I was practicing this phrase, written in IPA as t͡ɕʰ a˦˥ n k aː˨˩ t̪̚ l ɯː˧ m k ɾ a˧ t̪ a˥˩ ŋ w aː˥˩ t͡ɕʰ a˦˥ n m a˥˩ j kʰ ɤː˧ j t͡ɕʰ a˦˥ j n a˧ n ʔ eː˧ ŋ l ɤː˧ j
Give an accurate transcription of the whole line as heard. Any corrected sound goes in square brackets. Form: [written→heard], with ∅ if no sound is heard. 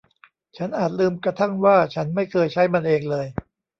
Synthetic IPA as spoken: t͡ɕʰ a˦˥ n [k→ʔ] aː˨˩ t̪̚ l ɯː˧ m k ɾ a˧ [t̪→t̪ʰ] a˥˩ ŋ w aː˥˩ t͡ɕʰ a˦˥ n m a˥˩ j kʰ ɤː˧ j t͡ɕʰ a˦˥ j [n→m] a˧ n ʔ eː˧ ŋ l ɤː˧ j